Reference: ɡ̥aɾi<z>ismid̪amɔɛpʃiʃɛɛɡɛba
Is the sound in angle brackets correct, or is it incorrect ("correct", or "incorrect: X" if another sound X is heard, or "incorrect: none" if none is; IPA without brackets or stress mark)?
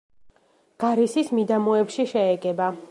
incorrect: s